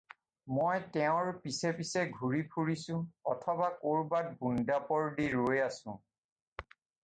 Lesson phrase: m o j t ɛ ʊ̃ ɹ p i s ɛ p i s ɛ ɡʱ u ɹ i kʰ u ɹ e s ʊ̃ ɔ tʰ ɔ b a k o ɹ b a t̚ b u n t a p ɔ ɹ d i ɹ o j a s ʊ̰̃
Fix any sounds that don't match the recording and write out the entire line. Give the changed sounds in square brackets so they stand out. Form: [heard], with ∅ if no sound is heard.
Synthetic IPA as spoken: m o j t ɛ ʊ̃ ɹ p i s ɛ p i s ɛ ɡʱ u ɹ i [pʰ] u ɹ [i] s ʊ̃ ɔ tʰ ɔ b a k o ɹ b a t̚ b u n [d] a p ɔ ɹ d i ɹ o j a s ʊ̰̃